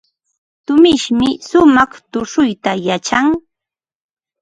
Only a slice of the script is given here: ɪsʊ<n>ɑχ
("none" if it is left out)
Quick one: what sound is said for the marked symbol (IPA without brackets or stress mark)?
m